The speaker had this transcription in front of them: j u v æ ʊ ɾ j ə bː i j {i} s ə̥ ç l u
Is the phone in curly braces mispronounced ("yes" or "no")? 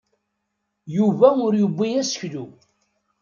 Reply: yes